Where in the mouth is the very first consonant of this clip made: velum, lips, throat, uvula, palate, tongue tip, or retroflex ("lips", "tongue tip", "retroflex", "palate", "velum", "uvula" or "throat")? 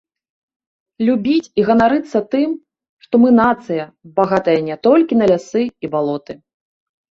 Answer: tongue tip